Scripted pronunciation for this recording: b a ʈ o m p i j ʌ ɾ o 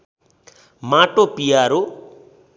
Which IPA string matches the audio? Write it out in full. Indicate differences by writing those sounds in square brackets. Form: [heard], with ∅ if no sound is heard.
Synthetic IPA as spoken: [m] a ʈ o [∅] p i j [a] ɾ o